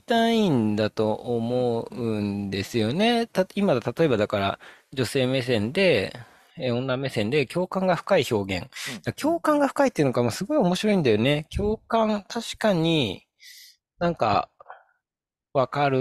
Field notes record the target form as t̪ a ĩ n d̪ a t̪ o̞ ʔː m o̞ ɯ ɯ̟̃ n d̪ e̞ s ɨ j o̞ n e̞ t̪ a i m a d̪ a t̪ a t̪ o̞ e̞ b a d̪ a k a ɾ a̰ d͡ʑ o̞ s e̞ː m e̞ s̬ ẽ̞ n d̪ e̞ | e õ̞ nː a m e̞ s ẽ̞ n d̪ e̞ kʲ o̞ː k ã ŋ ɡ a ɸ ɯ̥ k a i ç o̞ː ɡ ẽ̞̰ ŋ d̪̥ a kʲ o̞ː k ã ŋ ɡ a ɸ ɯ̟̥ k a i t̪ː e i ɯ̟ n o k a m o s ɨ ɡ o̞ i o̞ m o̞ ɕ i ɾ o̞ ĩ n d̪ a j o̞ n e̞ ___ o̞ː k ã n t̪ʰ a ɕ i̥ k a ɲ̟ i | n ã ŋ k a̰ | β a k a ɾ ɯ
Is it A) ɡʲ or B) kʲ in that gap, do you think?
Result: B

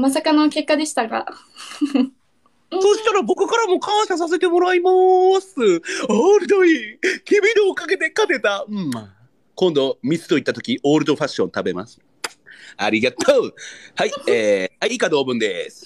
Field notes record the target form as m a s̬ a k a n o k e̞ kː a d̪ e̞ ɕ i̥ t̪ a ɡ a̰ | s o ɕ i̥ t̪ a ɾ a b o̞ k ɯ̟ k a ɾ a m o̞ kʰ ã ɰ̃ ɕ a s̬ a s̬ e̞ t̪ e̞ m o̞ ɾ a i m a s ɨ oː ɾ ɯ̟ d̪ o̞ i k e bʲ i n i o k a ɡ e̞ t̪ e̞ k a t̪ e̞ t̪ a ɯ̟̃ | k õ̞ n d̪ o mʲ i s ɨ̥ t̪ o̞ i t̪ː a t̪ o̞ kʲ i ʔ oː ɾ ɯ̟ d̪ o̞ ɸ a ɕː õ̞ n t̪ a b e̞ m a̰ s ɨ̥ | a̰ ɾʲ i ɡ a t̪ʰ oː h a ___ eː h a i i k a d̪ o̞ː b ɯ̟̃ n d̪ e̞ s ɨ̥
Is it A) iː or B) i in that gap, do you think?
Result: B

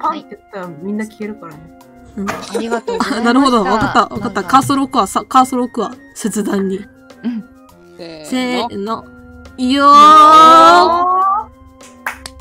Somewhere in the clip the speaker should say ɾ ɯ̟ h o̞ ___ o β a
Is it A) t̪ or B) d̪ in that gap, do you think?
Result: B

